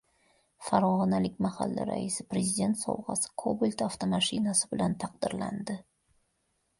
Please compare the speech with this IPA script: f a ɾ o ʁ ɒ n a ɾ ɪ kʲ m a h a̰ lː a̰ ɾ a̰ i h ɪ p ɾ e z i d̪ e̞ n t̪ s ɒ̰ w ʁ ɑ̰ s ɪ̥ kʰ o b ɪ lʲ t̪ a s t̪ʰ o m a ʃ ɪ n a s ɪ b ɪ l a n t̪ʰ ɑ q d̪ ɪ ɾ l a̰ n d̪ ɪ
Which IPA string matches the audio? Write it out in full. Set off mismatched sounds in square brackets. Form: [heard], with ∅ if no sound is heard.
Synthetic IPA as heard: f a ɾ [ɒ] ʁ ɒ n a [l] ɪ kʲ m a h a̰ lː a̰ ɾ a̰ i [s] ɪ p ɾ e z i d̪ e̞ n t̪ s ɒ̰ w ʁ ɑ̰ s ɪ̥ kʰ o b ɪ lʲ t̪ a [f] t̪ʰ o m a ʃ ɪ n a s ɪ b ɪ l a n t̪ʰ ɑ q d̪ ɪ ɾ l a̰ n d̪ ɪ